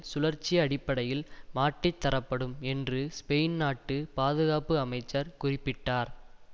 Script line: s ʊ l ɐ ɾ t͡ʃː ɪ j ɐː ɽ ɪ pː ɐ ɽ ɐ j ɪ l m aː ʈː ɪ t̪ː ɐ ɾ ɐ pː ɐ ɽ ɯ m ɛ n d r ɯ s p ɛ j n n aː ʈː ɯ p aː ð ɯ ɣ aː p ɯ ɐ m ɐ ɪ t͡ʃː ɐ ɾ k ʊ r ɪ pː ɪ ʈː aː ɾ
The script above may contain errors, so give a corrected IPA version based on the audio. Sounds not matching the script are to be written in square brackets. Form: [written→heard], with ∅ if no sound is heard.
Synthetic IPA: s ʊ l ɐ ɾ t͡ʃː ɪ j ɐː ɽ ɪ pː ɐ ɽ ɐ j ɪ l m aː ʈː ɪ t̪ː ɐ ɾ ɐ pː ɐ ɽ ɯ m ɛ n d r ɯ s p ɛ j n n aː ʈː ɯ p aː ð ɯ ɣ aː p ɯ ɐ m ɐ ɪ t͡ʃː ɐ ɾ k ʊ r ɪ pː ɪ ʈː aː ɾ

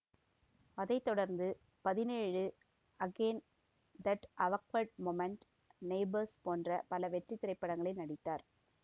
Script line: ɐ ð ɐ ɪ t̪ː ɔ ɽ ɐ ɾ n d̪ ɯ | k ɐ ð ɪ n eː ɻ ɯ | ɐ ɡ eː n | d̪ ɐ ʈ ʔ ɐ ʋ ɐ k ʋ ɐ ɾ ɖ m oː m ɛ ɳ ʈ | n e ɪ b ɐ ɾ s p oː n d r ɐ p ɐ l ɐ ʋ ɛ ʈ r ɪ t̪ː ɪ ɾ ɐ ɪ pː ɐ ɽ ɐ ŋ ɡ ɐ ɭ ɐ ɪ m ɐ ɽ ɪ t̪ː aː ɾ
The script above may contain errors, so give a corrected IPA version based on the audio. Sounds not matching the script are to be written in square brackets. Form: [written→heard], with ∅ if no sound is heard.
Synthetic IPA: ɐ ð ɐ ɪ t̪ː ɔ ɽ ɐ ɾ n d̪ ɯ | [k→p] ɐ ð ɪ n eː ɻ ɯ | ɐ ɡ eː n | d̪ ɐ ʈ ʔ ɐ ʋ ɐ k ʋ ɐ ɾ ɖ m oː m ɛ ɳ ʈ | n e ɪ b ɐ ɾ s p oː n d r ɐ p ɐ l ɐ ʋ ɛ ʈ r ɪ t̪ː ɪ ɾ ɐ ɪ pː ɐ ɽ ɐ ŋ ɡ ɐ ɭ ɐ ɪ [m→n] ɐ ɽ ɪ t̪ː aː ɾ

